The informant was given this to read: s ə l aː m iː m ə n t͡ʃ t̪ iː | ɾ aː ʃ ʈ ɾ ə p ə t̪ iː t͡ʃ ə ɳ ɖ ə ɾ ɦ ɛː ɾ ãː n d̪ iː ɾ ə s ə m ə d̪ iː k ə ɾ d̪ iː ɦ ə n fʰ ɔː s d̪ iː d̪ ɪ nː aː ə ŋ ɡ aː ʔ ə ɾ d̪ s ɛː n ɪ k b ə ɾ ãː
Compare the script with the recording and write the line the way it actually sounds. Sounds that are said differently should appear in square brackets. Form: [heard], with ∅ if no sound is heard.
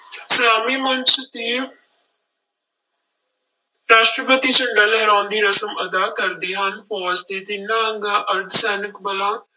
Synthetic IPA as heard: s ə l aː m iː m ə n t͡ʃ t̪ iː | ɾ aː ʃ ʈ ɾ ə p ə t̪ iː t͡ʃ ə ɳ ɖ ə [l] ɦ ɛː ɾ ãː n d̪ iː ɾ ə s ə m ə d̪ [aː] k ə ɾ d̪ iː ɦ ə n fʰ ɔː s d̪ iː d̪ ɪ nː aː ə ŋ ɡ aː ʔ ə ɾ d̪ s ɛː n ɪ k b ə [l] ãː